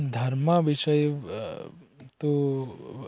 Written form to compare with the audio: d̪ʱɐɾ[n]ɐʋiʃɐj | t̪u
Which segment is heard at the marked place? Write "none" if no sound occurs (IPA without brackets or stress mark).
m